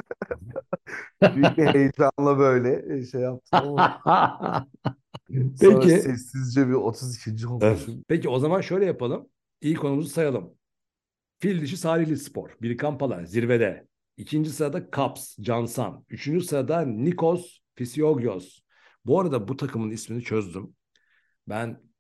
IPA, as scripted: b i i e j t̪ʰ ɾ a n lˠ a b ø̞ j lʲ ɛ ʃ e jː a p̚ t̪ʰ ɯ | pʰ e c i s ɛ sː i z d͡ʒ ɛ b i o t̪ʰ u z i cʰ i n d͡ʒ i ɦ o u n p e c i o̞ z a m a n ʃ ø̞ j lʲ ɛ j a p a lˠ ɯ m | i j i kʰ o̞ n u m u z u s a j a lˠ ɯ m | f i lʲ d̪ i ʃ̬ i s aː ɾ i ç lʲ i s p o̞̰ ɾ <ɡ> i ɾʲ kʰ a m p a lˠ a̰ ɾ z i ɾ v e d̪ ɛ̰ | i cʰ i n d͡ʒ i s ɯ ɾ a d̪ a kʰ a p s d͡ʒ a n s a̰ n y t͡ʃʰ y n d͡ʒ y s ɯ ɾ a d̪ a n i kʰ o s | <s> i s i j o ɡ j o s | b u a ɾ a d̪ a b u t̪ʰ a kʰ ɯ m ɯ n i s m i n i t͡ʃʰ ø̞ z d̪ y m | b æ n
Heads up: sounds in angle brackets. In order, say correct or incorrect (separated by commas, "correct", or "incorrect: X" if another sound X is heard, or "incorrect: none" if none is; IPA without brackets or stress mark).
incorrect: b, incorrect: f